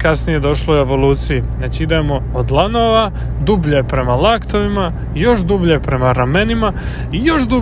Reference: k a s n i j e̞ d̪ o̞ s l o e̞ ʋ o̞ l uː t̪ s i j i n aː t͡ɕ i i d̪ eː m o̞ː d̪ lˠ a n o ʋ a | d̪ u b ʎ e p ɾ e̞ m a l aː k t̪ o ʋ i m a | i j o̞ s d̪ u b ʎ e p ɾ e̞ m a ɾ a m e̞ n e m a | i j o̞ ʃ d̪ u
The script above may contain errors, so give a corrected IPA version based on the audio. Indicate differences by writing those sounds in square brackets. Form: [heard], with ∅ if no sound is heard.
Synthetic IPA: k a s n i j e̞ d̪ o̞ [ʃ] l o e̞ ʋ o̞ l uː t̪ s i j i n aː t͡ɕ i i d̪ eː m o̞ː d̪ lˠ a n o ʋ a | d̪ u b ʎ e p ɾ e̞ m a l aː k t̪ o ʋ i m a | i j o̞ [ʃ] d̪ u b ʎ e p ɾ e̞ m a ɾ a m e̞ n [i] m a | i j o̞ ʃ d̪ u